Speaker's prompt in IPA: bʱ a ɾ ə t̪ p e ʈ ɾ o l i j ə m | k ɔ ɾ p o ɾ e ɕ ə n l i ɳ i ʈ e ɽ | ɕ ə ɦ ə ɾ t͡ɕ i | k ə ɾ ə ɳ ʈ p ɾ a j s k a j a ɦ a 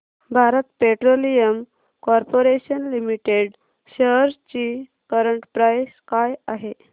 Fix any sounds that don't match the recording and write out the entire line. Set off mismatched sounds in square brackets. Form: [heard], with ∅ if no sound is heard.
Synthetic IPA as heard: bʱ a ɾ ə t̪ p e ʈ ɾ o l i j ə m | k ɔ ɾ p o ɾ e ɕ ə n l i [m] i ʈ e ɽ | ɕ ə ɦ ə ɾ t͡ɕ i | k ə ɾ ə ɳ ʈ p ɾ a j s k a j a ɦ [e]